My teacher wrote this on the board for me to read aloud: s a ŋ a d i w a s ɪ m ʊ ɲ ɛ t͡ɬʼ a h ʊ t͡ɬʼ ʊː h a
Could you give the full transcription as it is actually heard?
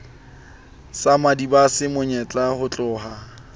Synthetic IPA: s a m a d i b a s ɪ m ʊ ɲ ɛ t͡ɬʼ a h ʊ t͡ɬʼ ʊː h a